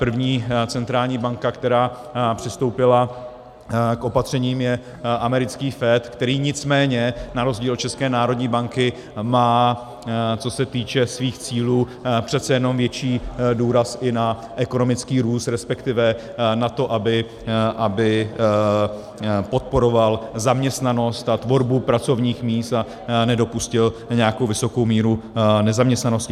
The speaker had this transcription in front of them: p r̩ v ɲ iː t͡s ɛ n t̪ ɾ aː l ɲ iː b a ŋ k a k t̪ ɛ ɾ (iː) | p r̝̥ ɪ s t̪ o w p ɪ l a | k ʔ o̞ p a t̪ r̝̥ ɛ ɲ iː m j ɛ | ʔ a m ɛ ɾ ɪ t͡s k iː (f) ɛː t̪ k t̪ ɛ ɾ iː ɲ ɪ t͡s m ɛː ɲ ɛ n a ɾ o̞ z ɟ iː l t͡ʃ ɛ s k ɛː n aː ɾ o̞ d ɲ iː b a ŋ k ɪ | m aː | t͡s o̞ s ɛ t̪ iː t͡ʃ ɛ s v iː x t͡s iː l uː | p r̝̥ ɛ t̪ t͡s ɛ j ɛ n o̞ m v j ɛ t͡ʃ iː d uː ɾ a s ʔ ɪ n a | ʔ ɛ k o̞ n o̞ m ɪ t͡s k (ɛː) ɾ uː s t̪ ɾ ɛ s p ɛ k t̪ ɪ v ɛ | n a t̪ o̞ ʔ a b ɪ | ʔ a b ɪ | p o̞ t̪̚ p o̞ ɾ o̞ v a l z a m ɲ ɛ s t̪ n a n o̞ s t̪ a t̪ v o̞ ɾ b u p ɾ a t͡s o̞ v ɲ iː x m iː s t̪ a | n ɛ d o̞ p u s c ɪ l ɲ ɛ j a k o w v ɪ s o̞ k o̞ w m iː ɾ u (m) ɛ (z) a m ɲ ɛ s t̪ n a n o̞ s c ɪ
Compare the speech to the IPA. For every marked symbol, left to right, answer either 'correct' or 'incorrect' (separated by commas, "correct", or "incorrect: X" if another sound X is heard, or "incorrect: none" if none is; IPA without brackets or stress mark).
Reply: incorrect: aː, correct, incorrect: iː, incorrect: n, correct